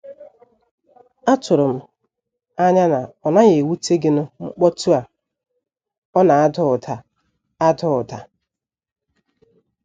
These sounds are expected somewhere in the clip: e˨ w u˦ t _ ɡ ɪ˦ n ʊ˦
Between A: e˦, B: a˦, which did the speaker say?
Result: A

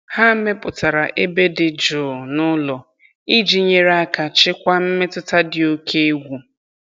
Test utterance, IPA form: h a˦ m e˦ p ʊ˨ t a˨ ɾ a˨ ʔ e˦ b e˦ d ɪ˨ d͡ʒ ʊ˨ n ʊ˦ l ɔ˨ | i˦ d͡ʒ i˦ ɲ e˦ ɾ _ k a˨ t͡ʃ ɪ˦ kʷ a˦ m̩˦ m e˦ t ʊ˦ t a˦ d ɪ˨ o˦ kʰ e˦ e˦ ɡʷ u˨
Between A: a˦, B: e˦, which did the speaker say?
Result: A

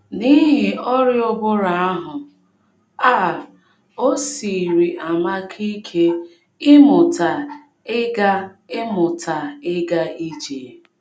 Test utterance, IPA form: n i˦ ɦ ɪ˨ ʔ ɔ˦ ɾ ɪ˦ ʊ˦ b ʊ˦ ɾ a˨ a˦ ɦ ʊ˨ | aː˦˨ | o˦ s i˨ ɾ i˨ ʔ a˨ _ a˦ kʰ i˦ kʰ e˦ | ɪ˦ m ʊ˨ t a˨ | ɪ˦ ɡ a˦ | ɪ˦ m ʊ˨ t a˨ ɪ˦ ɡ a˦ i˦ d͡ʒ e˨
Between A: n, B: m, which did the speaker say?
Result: B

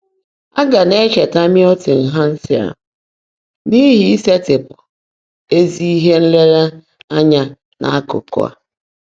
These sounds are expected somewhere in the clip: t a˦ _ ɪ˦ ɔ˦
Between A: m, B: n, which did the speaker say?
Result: A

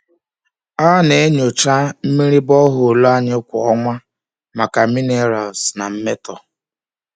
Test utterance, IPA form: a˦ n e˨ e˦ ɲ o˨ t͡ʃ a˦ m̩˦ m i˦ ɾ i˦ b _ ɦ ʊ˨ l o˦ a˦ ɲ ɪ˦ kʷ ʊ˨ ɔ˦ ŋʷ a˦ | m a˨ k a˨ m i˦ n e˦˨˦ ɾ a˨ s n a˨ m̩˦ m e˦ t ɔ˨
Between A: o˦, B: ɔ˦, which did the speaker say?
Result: B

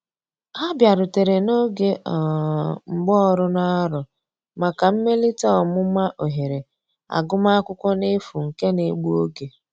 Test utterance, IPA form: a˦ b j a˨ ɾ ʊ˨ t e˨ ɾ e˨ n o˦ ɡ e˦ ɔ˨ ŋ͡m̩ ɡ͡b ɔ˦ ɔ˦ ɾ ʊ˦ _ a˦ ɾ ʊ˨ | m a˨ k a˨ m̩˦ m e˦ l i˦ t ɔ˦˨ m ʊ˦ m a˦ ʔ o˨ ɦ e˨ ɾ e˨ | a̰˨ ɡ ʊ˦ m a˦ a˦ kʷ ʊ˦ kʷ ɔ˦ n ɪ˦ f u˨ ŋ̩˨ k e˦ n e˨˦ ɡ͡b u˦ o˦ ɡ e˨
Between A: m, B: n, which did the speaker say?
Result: B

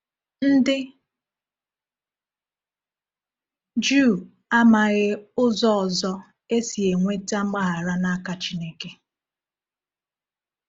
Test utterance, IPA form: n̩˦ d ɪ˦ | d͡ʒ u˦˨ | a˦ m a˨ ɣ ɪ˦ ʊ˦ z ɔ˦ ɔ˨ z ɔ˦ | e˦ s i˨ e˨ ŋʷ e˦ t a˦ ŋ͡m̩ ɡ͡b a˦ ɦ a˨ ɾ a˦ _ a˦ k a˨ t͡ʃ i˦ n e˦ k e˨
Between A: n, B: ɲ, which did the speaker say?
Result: A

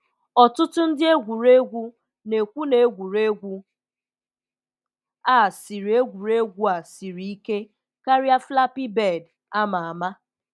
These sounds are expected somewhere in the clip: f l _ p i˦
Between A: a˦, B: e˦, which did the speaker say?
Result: A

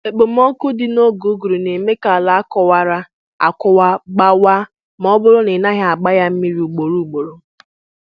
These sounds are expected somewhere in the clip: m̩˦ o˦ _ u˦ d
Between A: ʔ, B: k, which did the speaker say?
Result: B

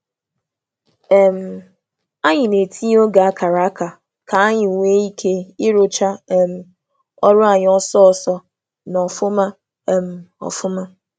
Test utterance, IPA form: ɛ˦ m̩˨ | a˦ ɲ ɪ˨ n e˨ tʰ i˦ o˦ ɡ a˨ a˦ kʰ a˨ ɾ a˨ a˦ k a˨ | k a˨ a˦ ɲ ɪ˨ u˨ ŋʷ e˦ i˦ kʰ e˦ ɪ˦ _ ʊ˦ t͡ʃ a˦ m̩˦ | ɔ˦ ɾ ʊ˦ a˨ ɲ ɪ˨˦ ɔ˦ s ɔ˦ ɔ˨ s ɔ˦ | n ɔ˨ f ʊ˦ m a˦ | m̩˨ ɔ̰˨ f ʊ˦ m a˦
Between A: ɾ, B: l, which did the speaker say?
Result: A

